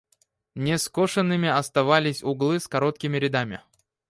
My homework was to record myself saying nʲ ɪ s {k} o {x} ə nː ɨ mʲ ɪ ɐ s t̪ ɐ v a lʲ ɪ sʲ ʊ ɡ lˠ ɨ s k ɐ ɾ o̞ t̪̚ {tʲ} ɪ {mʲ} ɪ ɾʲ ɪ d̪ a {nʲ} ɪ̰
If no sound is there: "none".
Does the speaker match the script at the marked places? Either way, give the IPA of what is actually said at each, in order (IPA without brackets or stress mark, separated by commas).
k, ʂ, kʲ, mʲ, mʲ